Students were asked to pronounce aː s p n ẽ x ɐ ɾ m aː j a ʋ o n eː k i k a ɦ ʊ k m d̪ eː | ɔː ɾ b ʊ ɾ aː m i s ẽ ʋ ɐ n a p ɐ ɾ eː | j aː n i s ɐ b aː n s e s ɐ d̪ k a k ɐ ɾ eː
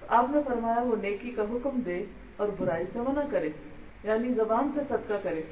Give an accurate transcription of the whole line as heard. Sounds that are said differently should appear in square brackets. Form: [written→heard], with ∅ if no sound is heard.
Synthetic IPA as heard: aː [s→∅] p n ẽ [x→f] ɐ ɾ m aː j a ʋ o n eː k i k a ɦ ʊ k m d̪ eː | ɔː ɾ b ʊ ɾ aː [m→∅] i s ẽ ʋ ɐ n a [p→k] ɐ ɾ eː | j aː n i [s→z] ɐ b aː n s e s ɐ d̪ k a k ɐ ɾ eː